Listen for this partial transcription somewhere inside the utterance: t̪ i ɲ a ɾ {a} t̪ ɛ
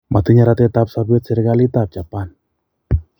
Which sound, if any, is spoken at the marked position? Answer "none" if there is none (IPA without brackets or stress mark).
a